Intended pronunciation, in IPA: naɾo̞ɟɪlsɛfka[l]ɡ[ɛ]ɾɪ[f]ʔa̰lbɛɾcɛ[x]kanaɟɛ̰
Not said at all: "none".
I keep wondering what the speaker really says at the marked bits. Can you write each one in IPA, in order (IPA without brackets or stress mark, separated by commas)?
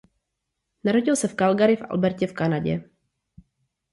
l, a, f, f